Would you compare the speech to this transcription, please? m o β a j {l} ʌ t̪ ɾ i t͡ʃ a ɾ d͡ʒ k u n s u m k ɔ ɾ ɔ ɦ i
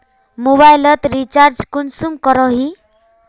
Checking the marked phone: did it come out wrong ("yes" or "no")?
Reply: no